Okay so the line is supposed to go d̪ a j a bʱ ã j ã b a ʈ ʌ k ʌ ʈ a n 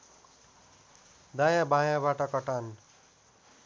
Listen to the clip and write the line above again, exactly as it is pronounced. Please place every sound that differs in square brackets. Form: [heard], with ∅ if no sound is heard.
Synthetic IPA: d̪ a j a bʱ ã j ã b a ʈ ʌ k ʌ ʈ a n

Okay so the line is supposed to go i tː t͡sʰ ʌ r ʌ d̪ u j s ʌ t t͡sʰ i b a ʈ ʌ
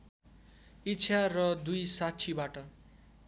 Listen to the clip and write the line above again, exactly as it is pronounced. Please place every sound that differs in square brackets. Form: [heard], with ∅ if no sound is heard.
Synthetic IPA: i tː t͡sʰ [a] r ʌ d̪ u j s [a] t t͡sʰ i b a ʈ ʌ

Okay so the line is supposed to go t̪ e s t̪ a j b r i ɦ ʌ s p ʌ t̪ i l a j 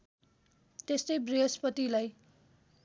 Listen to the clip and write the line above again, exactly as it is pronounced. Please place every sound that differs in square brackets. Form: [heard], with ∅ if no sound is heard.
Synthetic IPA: t̪ e s t̪ [ʌ] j b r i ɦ ʌ s p ʌ t̪ i l a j

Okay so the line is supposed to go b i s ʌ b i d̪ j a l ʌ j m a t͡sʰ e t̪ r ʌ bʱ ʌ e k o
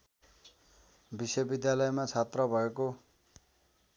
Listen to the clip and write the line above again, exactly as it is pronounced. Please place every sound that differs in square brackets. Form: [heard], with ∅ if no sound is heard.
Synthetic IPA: b i s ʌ b i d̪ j a l ʌ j m a t͡sʰ [a] t̪ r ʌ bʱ ʌ e k o

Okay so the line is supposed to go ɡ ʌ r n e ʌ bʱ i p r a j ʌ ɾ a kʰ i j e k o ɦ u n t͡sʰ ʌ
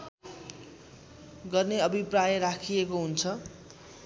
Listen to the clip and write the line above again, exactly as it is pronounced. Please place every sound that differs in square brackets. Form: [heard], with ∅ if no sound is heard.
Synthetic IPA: ɡ ʌ r n e ʌ bʱ i p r a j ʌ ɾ a kʰ i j e k o ɦ u n t͡sʰ ʌ

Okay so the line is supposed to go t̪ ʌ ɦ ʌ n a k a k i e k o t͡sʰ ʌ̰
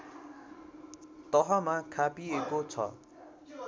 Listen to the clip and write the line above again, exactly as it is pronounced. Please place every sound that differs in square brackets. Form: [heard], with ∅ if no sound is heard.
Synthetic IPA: t̪ ʌ ɦ ʌ [m] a [kʰ] a [p] i e k o t͡sʰ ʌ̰

